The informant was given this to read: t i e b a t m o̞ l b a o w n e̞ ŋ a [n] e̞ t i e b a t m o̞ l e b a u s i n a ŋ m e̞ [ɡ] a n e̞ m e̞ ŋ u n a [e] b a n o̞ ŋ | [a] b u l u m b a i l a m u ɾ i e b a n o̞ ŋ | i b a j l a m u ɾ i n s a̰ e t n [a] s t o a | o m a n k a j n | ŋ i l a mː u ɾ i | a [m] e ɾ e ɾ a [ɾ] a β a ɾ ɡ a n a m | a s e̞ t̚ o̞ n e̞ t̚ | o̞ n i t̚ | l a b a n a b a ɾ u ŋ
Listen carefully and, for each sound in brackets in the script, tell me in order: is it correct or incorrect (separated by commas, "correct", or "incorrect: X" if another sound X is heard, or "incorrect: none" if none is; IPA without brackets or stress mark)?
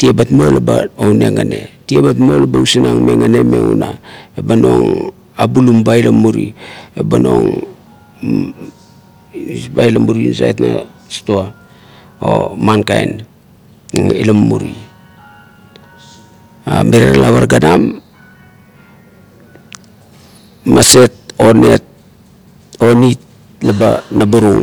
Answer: correct, incorrect: ŋ, correct, correct, correct, correct, incorrect: l